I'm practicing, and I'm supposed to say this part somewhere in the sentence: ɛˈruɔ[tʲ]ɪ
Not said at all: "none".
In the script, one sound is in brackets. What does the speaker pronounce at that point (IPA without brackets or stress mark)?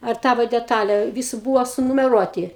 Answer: tʲ